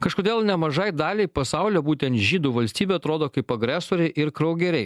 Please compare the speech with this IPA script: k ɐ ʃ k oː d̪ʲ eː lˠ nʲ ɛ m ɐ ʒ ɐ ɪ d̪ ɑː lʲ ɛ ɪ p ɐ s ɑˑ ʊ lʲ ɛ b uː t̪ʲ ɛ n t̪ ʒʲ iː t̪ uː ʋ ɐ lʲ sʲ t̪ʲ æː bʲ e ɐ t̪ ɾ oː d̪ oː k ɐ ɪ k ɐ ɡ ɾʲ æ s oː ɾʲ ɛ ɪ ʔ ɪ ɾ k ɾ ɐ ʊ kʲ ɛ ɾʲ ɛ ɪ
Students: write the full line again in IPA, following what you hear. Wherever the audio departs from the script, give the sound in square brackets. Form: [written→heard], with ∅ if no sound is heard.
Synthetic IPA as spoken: k ɐ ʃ k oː d̪ʲ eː lˠ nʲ ɛ m ɐ ʒ ɐ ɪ d̪ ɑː lʲ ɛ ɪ p ɐ s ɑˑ ʊ lʲ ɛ b uː t̪ʲ ɛ n t̪ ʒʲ iː [t̪→d̪] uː ʋ ɐ lʲ sʲ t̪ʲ [æː→iː] bʲ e ɐ t̪ ɾ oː d̪ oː k ɐ ɪ [k→p] ɐ ɡ ɾʲ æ s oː ɾʲ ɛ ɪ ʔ ɪ ɾ k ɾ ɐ ʊ [kʲ→ɡʲ] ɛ ɾʲ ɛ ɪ